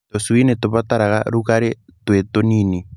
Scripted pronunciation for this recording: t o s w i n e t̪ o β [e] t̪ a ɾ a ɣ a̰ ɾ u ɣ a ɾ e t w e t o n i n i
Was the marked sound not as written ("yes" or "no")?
yes